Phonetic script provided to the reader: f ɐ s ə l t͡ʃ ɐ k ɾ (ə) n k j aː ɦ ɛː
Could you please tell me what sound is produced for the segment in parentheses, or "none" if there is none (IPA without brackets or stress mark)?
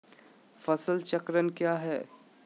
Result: ə